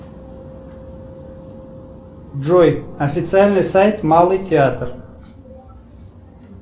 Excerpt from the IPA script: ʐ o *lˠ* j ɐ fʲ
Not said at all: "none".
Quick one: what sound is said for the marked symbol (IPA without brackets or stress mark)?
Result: none